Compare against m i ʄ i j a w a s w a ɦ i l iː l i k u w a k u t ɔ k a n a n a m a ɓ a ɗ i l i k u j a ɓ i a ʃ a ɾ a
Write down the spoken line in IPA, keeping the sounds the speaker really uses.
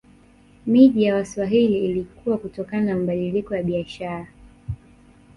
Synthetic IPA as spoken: m i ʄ i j a w a s w a ɦ i l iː l i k u w a k u t ɔ k a n a n a m a ɓ a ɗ i l i k ɔ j a ɓ i a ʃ a ɾ a